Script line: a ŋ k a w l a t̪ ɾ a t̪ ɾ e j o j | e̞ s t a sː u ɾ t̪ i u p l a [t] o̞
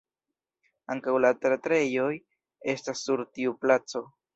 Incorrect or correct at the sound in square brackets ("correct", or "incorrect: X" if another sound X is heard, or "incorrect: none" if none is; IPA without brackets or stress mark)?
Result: incorrect: t͡s